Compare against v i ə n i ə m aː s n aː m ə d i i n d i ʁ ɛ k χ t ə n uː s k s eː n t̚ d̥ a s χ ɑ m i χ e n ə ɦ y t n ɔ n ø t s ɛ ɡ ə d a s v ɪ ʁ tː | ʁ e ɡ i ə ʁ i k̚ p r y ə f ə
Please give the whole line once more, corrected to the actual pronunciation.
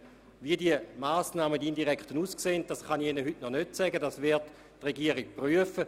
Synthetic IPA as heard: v i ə d i ə m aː s n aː m ə d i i n d i ʁ ɛ k χ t ə n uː s k s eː n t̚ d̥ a s χ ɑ n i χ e n ə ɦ y t n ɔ n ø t s ɛ ɡ ə d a s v ɪ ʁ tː | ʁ e ɡ i ə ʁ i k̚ p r y ə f ə